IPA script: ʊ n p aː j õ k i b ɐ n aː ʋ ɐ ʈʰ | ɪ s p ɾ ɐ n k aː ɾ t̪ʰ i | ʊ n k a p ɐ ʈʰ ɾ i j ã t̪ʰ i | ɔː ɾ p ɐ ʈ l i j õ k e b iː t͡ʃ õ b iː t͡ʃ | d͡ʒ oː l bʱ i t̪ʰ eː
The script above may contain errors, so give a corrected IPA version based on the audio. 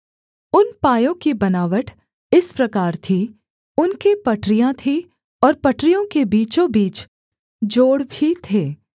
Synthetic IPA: ʊ n p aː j õ k i b ɐ n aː ʋ ə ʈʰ | ɪ s p ɾ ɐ k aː ɾ t̪ʰ i | ʊ n k e p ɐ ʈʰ ɾ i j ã t̪ʰ i | ɔː ɾ p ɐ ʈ ɾ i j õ k e b iː t͡ʃ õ b iː t͡ʃ | d͡ʒ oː ɽ bʱ i t̪ʰ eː